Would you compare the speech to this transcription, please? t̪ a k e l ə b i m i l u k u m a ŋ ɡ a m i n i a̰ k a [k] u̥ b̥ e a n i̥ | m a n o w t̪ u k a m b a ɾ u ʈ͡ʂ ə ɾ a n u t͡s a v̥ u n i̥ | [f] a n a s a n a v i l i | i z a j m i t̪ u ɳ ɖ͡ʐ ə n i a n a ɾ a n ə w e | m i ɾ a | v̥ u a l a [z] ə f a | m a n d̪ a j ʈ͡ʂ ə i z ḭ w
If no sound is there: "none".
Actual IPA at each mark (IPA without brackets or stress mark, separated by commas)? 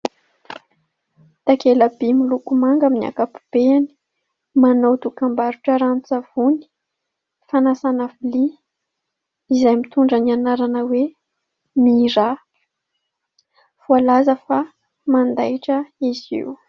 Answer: p, f, z